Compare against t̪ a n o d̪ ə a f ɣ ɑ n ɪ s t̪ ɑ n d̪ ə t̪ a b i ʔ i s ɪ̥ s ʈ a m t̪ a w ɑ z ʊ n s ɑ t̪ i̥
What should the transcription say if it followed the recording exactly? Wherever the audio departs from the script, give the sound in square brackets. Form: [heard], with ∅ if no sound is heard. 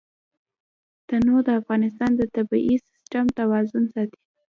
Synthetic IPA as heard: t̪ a n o d̪ ə a f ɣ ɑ n ɪ s t̪ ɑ n d̪ ə t̪ a b i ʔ i s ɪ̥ s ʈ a m t̪ a w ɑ z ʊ n s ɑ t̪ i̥